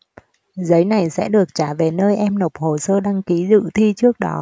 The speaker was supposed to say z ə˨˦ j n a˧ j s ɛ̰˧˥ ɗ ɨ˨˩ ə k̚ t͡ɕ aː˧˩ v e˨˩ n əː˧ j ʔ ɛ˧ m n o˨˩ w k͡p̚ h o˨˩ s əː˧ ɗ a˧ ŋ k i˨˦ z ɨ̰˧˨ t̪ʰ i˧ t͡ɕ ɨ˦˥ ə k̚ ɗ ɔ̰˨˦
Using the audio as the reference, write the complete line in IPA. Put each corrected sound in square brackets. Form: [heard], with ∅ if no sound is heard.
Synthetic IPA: z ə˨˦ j n [a˨˩] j s ɛ̰˧˥ ɗ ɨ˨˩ ə k̚ t͡ɕ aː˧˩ v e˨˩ n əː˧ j ʔ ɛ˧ m n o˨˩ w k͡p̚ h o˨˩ s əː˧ ɗ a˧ ŋ k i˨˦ z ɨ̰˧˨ t̪ʰ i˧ t͡ɕ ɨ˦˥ ə k̚ ɗ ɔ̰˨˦